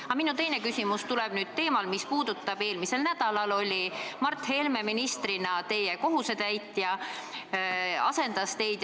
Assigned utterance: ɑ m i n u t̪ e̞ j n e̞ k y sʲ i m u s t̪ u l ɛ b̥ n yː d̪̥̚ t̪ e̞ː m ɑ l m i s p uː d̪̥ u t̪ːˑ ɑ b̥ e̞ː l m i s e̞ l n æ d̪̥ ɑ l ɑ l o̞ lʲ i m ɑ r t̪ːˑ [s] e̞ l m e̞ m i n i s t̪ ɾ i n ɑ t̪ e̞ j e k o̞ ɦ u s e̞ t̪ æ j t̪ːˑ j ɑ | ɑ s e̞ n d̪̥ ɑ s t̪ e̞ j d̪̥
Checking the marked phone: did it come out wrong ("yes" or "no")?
yes